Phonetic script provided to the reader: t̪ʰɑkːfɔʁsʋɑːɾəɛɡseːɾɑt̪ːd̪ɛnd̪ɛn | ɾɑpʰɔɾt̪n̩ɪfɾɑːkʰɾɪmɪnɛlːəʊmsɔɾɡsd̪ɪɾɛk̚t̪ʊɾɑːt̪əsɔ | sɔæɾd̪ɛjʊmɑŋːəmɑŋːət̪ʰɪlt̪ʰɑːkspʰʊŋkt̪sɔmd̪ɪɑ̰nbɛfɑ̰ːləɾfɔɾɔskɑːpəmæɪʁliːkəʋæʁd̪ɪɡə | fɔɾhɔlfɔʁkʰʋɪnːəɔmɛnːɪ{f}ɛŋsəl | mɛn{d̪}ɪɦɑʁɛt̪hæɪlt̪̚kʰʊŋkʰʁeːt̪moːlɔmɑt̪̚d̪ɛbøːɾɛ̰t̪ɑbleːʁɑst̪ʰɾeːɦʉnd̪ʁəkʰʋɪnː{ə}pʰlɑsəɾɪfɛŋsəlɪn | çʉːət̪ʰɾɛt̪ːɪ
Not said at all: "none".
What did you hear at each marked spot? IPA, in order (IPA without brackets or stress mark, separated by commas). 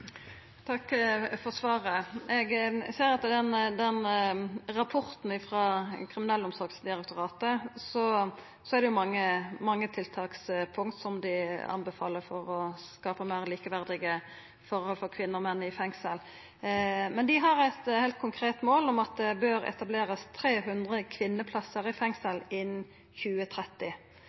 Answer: f, d̪, ə